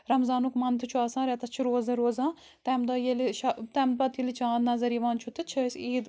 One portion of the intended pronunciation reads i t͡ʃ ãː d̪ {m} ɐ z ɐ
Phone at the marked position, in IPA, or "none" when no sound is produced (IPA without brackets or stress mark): n